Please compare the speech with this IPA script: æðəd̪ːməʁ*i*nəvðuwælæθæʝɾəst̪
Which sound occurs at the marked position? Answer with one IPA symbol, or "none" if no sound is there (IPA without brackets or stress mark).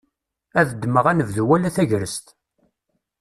æ